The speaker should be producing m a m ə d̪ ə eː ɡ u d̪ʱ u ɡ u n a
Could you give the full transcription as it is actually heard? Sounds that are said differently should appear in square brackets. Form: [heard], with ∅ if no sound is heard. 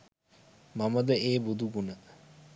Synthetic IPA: m a m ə d̪ ə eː [b] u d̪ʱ u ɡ u n [ə]